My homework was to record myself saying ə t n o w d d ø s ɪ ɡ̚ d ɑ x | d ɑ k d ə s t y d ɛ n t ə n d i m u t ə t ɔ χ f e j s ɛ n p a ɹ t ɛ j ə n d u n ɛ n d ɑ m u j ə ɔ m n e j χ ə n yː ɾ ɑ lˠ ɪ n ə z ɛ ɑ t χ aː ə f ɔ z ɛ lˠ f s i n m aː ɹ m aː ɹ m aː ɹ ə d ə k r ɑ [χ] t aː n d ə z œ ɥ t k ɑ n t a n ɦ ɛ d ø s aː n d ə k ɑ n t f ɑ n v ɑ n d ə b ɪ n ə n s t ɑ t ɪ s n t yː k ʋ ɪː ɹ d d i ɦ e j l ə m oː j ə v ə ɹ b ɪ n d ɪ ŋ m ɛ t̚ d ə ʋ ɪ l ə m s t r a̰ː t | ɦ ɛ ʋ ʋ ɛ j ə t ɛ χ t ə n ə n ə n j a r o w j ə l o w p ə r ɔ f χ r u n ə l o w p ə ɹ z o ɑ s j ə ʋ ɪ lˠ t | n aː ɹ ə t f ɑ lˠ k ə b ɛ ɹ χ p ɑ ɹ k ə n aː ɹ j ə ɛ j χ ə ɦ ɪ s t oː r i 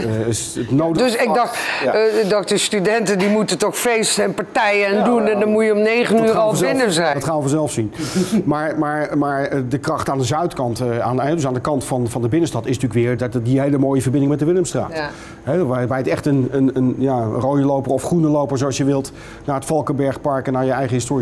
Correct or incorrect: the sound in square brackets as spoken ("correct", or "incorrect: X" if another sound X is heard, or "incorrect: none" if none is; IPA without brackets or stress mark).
correct